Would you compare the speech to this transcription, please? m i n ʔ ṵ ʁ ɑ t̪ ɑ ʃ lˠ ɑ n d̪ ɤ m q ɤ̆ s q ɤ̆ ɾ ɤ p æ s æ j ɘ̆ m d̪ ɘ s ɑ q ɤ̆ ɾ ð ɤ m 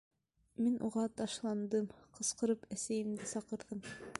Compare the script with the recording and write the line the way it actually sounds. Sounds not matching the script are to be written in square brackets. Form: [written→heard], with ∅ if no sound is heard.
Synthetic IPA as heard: m i n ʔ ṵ ʁ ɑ t̪ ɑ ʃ lˠ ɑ n d̪ ɤ m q ɤ̆ s q ɤ̆ ɾ ɤ p æ s æ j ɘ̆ m d̪ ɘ s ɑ q ɤ̆ ɾ ð ɤ m